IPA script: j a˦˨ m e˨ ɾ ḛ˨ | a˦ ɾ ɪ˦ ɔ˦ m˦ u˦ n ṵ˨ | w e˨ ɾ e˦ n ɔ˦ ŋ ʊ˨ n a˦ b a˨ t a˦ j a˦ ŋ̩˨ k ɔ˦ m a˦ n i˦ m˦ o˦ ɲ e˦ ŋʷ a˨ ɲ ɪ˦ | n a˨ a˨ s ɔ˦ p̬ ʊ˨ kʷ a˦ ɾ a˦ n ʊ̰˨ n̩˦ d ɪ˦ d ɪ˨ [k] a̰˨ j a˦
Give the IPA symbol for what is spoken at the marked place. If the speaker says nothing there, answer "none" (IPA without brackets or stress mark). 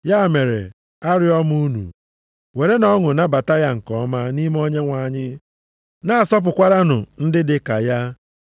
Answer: k